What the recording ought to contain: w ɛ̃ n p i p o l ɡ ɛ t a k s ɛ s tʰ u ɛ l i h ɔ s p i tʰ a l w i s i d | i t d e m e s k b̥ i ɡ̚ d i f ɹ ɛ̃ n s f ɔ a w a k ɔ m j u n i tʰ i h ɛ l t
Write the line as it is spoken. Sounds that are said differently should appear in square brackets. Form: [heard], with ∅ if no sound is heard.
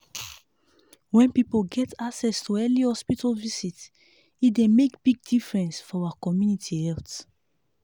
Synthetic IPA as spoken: w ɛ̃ n p i p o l ɡ ɛ t a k s ɛ s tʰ u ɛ l i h ɔ s p i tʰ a l [v] i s i [t] | i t d e m e [∅] k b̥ i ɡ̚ d i f ɹ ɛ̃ n s f ɔ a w a k ɔ m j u n i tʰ i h ɛ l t

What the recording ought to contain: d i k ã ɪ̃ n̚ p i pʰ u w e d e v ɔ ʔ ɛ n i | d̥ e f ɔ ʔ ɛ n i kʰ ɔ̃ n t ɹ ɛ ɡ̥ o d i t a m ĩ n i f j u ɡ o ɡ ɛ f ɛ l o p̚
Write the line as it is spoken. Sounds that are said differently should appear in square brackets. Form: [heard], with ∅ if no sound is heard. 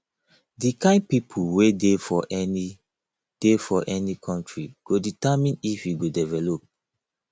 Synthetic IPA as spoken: d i k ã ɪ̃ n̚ p i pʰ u w e d e [f] ɔ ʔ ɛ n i | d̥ e f ɔ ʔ ɛ n i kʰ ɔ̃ n t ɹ [i] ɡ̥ o d i t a m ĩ n i f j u ɡ o [d] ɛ [v] ɛ l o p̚

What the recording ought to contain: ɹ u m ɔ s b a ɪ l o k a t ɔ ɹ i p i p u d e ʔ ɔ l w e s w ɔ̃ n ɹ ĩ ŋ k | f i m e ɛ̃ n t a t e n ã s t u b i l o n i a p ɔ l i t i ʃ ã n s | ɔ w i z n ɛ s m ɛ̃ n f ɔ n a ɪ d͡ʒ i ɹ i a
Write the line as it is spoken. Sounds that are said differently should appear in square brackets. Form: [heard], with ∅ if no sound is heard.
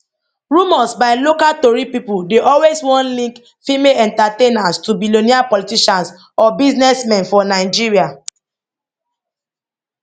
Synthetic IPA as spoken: ɹ u m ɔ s b a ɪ l o k a t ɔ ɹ i p i p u d e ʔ ɔ l w e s w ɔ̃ n [l] ĩ ŋ k | f i m e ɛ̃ n t a t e n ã s t u b i l o n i a p ɔ l i t i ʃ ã n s | ɔ [b] i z n ɛ s m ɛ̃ n f ɔ n a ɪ d͡ʒ i ɹ i a

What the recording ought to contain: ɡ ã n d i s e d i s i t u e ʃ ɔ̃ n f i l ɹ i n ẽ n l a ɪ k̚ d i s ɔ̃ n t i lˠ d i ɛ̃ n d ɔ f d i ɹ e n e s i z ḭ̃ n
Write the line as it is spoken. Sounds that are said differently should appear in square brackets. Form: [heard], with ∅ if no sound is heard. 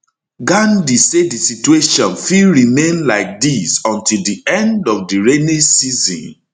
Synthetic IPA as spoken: ɡ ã n d i s e d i s i t u e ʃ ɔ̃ n f i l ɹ i [m] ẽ n l a ɪ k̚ d i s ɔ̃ n t i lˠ d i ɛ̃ n d ɔ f d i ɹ e n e s i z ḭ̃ n

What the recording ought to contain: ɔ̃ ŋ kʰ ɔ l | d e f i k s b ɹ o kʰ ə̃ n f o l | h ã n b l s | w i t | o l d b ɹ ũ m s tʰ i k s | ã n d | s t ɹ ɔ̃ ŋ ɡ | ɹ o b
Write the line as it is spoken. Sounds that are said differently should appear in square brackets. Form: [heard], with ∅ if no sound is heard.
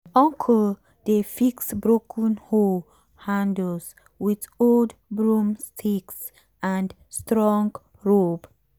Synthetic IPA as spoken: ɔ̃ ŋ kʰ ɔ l | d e f i k s b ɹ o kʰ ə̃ n [h] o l | h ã n [d] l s | w i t | o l d b ɹ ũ m s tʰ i k s | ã n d | s t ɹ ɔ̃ ŋ ɡ | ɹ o b

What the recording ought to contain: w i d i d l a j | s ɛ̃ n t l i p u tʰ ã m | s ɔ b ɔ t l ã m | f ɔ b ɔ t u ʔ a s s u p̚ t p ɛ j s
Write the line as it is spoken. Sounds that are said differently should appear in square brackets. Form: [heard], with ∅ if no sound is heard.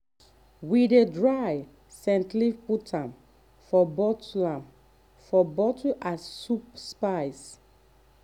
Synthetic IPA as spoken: w i d [e] d [ɹ] a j | s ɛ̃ n t l i p u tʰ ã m | [f] ɔ b ɔ t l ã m | f ɔ b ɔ t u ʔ a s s u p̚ [s] p [a] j s

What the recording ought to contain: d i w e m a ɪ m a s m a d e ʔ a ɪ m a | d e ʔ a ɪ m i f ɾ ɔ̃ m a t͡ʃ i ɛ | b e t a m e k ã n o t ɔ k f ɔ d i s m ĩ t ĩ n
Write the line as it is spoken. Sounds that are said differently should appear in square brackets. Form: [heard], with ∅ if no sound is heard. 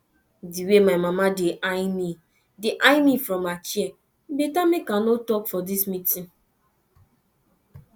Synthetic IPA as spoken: d i w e m a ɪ m a [∅] m a d e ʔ a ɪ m [i] | d e ʔ a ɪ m i f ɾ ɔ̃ m a t͡ʃ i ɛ | b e t a m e k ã n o t ɔ k f ɔ d i s m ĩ t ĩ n

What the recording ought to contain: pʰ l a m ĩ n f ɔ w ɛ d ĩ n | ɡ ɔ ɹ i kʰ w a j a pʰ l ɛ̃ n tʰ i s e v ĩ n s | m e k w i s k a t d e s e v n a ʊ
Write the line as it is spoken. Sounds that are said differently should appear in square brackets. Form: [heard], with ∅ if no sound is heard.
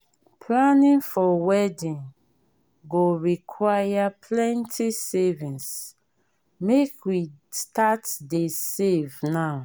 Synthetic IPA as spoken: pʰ l a [n] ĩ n f ɔ w ɛ d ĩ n | ɡ [o] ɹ i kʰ w a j a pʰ l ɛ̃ n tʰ i s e v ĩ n s | m e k w i s [t] a t d e s e v n a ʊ

